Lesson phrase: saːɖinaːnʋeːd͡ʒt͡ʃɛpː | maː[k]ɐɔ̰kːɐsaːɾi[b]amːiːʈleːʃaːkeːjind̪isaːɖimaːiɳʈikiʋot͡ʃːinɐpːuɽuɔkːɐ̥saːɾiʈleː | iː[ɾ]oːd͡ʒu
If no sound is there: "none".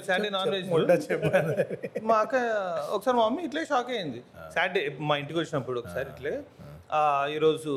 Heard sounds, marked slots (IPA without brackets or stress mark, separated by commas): k, m, ɾ